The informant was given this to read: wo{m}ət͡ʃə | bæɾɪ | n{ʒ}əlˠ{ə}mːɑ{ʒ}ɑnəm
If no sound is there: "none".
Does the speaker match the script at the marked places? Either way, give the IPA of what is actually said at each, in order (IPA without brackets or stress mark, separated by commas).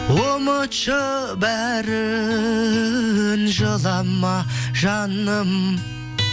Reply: m, ʒ, ɑ, ʒ